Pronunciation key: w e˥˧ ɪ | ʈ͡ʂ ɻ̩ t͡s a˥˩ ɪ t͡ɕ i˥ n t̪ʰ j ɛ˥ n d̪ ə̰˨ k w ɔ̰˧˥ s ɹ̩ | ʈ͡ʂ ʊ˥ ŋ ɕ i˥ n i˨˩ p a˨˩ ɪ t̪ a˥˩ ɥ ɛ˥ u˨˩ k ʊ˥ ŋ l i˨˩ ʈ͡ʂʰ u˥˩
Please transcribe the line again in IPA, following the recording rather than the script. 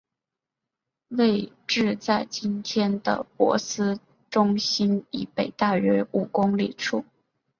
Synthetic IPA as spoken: w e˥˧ ɪ | ʈ͡ʂ ɻ̩ t͡s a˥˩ ɪ t͡ɕ i˥ n t̪ʰ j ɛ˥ n d̪ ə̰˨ p w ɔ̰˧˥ s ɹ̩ | ʈ͡ʂ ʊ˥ ŋ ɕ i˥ n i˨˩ p e˨˩ ɪ t̪ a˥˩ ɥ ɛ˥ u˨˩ k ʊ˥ ŋ l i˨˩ ʈ͡ʂʰ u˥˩

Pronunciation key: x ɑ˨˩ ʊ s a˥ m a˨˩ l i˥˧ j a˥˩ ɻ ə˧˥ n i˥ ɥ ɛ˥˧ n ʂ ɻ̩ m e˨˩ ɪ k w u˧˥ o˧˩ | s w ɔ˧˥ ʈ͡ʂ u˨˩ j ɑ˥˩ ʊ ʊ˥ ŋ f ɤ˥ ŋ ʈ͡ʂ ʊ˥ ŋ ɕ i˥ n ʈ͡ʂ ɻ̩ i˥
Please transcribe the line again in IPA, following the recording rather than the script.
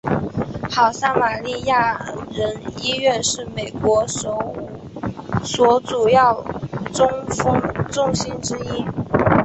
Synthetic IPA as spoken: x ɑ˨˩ ʊ s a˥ m a˨˩ l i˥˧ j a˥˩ ɻ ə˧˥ n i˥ ɥ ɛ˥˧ n ʂ ɻ̩ m e˨˩ ɪ k w ɔ˧˥ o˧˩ | s w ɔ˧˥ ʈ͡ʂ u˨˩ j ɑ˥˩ ʊ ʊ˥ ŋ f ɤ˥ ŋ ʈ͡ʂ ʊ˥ ŋ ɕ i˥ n ʈ͡ʂ ɻ̩ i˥

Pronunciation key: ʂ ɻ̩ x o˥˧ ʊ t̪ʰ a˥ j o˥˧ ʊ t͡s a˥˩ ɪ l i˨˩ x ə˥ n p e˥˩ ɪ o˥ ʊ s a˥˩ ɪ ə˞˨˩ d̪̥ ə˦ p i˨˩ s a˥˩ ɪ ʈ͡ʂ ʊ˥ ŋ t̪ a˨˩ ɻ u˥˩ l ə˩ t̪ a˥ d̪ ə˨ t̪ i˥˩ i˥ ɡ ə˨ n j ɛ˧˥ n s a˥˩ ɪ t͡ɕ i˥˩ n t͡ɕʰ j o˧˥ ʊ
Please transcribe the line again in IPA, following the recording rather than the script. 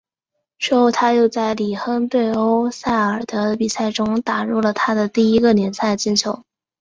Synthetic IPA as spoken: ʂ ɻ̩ x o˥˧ ʊ t̪ʰ a˥ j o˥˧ ʊ t͡s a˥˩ ɪ l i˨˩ x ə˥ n p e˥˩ ɪ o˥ ʊ s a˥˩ ɪ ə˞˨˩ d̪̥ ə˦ p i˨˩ s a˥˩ ɪ ʈ͡ʂ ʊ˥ ŋ t̪ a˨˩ ɻ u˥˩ l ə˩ t̪ʰ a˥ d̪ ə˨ t̪ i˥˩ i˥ ɡ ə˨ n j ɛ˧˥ n s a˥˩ ɪ t͡ɕ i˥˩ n t͡ɕʰ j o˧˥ ʊ

